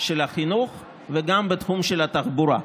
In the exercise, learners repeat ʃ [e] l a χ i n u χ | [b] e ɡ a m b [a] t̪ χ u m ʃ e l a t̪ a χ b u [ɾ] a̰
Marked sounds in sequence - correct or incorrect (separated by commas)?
correct, incorrect, incorrect, correct